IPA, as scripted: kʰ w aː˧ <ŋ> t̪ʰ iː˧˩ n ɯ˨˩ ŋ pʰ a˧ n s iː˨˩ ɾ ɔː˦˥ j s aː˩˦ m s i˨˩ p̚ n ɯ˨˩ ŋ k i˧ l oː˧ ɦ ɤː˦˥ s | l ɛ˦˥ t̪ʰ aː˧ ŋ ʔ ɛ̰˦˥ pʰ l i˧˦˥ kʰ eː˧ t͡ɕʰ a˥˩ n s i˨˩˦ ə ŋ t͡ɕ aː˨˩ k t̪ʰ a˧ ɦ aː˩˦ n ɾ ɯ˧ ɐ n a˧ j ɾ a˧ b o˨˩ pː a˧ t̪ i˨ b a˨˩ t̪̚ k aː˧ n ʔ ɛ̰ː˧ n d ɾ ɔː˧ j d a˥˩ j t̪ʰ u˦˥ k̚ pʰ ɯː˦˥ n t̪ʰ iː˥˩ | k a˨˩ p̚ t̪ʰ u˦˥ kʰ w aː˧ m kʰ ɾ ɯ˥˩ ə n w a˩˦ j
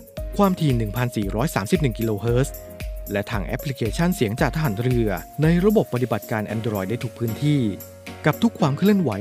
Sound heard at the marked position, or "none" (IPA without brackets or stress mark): m